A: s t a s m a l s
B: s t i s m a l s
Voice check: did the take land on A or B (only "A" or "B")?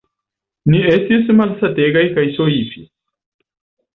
B